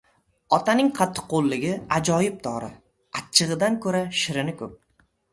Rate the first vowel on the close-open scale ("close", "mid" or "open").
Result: open